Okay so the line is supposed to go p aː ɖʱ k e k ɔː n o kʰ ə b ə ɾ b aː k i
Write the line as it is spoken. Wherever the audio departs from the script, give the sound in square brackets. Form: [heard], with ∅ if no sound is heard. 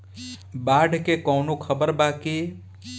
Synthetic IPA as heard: [b] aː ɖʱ k e k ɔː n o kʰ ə b ə ɾ b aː k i